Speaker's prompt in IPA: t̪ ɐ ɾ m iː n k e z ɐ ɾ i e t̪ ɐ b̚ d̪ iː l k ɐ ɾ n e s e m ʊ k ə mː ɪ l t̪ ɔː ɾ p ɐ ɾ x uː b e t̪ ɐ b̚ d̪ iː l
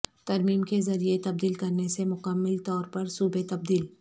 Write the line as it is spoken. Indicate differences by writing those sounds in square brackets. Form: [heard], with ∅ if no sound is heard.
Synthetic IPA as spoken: t̪ ɐ ɾ m iː [m] k e z ɐ ɾ i e t̪ ɐ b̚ d̪ iː l k ɐ ɾ n e s e m ʊ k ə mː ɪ l t̪ ɔː ɾ p ɐ ɾ [s] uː b e t̪ ɐ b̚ d̪ iː l